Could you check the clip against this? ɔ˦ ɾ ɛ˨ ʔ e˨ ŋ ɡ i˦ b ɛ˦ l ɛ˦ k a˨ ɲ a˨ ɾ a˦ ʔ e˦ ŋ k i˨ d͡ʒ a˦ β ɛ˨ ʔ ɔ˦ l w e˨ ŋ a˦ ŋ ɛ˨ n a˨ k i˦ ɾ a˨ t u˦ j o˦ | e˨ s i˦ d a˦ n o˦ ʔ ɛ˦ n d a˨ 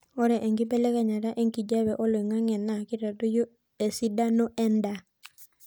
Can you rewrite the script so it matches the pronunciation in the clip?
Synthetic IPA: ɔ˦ ɾ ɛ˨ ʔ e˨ ŋ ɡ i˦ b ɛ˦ l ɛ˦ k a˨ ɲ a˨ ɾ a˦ ʔ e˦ ŋ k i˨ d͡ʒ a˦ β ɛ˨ ʔ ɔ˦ l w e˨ ŋ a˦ ŋ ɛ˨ n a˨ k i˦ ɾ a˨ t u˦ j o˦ | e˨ s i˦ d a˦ n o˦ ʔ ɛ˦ n d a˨

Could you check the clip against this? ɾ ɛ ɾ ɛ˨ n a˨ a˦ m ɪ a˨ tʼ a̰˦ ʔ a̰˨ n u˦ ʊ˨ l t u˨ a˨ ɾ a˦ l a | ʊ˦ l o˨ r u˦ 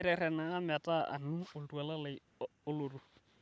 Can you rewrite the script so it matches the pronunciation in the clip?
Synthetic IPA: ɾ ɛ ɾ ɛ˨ n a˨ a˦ m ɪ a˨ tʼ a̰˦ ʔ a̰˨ n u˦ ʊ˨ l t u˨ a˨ l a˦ l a | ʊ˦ l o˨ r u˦

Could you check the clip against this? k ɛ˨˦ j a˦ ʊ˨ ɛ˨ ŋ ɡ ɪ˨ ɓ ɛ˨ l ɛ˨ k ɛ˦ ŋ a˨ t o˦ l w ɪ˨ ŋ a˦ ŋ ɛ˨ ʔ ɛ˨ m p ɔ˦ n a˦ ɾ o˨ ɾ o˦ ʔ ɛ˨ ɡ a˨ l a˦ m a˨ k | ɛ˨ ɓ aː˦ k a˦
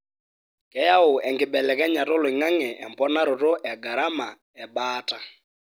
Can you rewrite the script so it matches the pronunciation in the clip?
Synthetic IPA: k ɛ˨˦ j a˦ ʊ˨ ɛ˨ ŋ ɡ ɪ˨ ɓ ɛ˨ l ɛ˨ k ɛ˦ ɲ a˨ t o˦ l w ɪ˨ ŋ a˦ ŋ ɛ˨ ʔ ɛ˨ m p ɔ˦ n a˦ ɾ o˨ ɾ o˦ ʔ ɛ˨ ɡ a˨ ɾ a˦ m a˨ | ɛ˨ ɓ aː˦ t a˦

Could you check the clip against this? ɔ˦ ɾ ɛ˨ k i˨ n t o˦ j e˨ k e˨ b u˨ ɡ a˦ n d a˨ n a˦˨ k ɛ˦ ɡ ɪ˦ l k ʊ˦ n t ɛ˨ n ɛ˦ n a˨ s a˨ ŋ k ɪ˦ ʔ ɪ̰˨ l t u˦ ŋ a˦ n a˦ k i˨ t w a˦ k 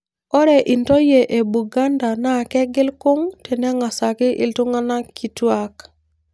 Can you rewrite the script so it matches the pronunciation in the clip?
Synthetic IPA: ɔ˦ ɾ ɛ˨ ʔ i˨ n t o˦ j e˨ ʔ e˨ b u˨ ɡ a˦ n d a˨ n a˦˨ k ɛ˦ ɡ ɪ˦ l k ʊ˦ ŋ t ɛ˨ n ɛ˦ ŋ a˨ s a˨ k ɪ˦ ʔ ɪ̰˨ l t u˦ ŋ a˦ n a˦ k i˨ t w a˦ k

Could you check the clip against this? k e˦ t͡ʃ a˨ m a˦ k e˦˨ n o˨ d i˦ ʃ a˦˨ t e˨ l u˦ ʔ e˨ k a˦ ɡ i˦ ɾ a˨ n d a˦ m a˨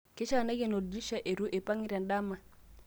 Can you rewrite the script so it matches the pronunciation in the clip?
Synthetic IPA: k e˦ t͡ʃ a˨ n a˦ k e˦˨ n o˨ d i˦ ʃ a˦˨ ʔ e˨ ɾ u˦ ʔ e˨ p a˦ ŋ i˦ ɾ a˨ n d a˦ m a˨

